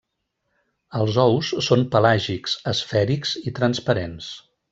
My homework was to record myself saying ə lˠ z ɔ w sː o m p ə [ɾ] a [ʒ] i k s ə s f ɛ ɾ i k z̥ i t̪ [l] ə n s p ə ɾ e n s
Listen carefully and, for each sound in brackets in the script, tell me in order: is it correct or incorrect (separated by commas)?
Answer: incorrect, correct, incorrect